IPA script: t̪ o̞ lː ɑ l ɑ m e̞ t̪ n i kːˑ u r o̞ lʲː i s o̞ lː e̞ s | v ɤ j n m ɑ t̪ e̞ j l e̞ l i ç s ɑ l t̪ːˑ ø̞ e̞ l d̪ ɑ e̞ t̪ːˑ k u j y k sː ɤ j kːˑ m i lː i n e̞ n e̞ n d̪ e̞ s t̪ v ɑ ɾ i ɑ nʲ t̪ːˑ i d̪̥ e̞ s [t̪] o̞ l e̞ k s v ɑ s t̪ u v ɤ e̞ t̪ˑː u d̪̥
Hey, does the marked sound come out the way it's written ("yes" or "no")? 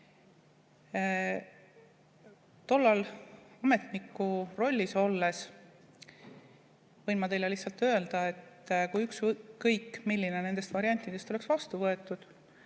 yes